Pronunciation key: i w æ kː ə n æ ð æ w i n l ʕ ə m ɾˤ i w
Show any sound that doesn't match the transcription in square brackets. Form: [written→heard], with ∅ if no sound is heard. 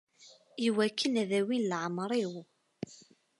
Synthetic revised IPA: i w æ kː ə n æ ð æ w i n l ʕ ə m ɾˤ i w